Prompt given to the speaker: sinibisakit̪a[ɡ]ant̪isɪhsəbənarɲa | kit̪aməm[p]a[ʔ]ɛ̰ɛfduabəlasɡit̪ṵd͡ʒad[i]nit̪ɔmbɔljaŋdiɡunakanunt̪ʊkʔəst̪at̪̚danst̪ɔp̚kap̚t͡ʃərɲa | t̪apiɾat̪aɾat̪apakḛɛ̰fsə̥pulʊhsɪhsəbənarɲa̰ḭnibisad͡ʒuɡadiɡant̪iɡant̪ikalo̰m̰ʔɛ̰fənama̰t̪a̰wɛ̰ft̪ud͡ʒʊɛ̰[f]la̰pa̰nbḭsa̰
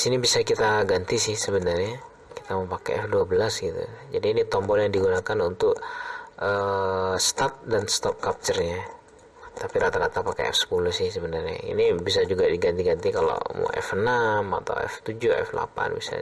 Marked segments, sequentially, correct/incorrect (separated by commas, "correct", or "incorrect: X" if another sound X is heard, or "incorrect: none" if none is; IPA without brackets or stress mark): correct, correct, incorrect: k, incorrect: iː, correct